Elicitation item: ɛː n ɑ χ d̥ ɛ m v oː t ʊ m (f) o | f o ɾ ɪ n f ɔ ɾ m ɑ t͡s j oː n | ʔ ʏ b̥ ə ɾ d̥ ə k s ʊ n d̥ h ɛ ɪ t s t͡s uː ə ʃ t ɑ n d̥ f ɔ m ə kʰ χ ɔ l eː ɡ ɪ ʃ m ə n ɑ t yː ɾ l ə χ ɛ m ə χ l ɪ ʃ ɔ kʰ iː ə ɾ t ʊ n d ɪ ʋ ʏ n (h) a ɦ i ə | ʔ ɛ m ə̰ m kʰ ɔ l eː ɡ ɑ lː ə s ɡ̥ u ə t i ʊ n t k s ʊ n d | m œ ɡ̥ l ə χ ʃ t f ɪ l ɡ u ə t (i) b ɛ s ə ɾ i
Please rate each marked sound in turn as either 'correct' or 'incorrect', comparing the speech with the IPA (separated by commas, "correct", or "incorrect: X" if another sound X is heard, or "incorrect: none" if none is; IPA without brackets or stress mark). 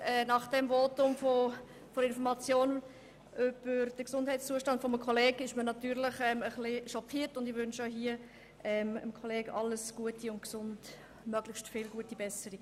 correct, incorrect: ʃ, correct